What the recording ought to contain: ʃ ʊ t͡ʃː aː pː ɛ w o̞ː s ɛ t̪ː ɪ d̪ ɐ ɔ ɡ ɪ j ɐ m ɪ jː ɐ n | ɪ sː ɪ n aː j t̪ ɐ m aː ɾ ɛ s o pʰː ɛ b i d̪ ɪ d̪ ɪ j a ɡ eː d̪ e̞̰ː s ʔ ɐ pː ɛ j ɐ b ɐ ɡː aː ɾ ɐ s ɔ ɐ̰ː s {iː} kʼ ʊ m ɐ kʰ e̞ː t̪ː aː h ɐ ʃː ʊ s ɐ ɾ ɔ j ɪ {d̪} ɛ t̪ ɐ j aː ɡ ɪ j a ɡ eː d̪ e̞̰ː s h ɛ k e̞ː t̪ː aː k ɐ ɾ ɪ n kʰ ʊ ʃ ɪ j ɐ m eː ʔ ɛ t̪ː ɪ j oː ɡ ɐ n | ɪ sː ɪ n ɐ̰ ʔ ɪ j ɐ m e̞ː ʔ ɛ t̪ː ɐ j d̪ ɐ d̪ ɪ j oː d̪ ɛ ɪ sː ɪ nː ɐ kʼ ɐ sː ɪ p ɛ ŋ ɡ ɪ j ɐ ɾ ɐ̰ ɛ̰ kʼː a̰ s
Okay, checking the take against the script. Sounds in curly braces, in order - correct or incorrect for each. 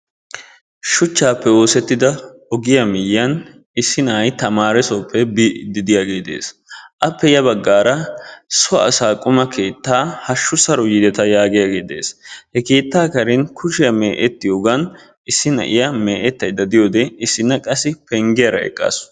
incorrect: aː, correct

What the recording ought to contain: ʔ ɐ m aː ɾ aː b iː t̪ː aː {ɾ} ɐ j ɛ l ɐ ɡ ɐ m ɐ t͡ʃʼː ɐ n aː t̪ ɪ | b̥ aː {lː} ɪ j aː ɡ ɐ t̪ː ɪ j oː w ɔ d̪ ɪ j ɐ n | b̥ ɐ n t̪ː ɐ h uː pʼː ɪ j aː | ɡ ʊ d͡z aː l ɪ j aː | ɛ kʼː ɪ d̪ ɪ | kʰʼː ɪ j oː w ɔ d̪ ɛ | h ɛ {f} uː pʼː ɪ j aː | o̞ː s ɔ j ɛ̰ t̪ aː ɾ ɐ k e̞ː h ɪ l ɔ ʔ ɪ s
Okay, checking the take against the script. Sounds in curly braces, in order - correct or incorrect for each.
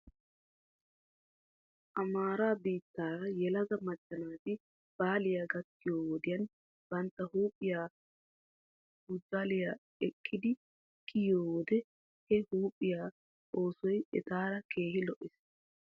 correct, incorrect: l, incorrect: h

